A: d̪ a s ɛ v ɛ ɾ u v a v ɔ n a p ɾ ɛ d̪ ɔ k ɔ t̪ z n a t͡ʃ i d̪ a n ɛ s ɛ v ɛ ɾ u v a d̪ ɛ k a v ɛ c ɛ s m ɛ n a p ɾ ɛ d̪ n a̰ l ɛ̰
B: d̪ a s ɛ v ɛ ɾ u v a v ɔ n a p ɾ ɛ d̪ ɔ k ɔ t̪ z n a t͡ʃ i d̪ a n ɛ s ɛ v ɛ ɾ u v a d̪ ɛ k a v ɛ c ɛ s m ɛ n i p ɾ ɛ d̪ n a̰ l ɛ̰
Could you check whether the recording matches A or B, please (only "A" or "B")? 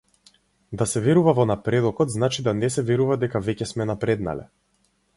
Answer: A